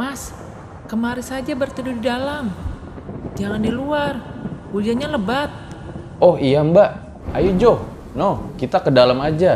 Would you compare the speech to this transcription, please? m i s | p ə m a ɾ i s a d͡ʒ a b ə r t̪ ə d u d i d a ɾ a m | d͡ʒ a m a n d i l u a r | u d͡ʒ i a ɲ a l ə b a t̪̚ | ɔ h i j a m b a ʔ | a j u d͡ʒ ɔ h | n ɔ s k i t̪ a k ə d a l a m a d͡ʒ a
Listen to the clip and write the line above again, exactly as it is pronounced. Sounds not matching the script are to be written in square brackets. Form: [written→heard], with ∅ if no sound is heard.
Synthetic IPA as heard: m [i→a] s | [p→k] ə m a ɾ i s a d͡ʒ a b ə r t̪ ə d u d i d a [ɾ→l] a m | d͡ʒ a [m→ŋ] a n d i l u a r | u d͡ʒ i a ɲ a l ə b a t̪̚ | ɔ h i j a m b a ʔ | a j u d͡ʒ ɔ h | n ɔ [s→h] k i t̪ a k ə d a l a m a d͡ʒ a